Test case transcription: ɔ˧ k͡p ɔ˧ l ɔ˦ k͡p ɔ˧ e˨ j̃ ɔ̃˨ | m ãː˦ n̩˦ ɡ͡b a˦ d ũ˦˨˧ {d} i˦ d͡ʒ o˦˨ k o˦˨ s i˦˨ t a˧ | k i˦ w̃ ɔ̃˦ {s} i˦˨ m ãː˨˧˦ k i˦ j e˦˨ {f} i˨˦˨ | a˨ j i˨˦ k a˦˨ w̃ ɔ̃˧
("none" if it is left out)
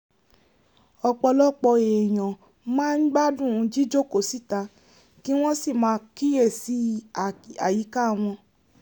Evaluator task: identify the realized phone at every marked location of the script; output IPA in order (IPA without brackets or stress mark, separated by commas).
d͡ʒ, s, s